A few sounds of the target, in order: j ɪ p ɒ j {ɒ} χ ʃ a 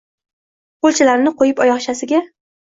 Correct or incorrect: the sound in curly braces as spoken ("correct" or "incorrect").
correct